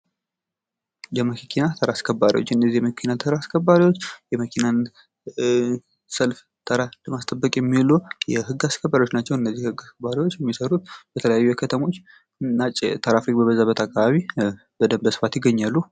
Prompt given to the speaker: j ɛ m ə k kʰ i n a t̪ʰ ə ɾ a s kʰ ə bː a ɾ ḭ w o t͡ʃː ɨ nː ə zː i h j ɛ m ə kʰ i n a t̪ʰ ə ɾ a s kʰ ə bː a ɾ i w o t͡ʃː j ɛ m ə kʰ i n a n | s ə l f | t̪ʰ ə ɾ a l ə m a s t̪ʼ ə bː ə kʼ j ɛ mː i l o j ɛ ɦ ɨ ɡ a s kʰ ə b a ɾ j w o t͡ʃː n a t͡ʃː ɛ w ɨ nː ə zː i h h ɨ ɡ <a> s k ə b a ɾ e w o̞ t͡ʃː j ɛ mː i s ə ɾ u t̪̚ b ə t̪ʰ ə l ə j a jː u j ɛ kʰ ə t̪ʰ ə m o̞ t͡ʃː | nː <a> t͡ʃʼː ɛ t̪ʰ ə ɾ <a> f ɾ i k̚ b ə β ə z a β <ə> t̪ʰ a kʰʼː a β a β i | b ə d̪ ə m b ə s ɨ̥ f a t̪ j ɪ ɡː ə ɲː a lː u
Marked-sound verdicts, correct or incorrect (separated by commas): correct, correct, correct, correct